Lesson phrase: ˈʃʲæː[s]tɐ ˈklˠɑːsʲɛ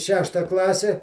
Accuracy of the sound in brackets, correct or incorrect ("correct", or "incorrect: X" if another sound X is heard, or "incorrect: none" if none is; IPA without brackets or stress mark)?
incorrect: ʃ